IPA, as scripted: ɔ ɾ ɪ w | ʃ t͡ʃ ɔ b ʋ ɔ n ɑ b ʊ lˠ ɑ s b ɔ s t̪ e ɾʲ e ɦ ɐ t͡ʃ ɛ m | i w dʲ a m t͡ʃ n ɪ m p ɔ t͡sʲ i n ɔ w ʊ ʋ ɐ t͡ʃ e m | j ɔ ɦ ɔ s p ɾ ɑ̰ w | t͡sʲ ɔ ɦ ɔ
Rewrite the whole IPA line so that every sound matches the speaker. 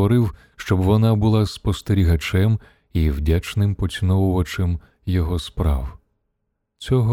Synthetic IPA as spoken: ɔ ɾ ɪ w | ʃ t͡ʃ ɔ b ʋ ɔ n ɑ b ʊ lˠ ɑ s p ɔ s t̪ e ɾʲ i ɦ ɐ t͡ʃ ɛ m | i w dʲ a t͡ʃ n ɪ m p ɔ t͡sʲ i n ɔ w ʊ ʋ ɐ t͡ʃ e m | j ɔ ɦ ɔ s p ɾ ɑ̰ w | t͡sʲ ɔ ɦ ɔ